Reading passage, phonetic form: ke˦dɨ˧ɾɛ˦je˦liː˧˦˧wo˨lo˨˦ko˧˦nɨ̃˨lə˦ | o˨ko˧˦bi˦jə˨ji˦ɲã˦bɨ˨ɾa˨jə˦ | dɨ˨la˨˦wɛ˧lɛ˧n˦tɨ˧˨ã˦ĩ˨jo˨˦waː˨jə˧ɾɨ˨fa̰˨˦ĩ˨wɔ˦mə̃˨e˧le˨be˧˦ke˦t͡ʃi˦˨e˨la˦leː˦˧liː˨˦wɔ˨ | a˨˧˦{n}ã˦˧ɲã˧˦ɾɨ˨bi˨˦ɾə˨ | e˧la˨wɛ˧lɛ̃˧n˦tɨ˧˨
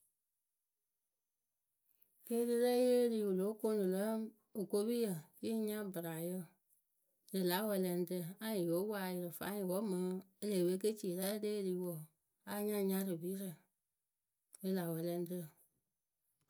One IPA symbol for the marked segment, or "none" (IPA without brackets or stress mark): ɲ